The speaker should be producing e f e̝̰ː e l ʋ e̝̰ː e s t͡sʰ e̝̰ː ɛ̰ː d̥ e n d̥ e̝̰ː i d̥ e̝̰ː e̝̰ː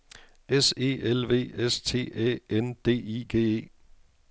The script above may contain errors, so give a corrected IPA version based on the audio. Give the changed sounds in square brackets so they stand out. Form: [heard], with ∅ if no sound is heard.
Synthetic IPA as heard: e [s] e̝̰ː e l ʋ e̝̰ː e s t͡sʰ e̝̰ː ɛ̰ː [∅] e n d̥ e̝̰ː i [ɡ̥] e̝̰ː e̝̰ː